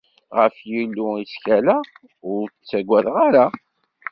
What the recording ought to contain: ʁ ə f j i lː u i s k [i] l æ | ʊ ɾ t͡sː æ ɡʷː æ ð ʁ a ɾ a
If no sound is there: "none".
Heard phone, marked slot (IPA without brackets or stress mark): æ